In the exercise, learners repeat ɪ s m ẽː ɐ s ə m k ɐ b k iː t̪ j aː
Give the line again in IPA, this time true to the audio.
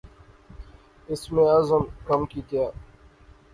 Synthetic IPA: ɪ s m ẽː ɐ z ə m k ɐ m k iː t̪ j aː